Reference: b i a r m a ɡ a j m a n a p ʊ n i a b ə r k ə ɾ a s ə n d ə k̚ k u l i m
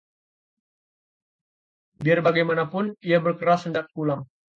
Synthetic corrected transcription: b i a r b a ɡ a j m a n a p ʊ n i a b ə r k ə ɾ a s ə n d a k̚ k u l a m